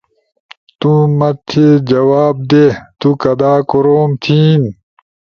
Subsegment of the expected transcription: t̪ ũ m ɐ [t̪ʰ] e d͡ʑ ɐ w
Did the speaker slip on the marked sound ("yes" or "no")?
no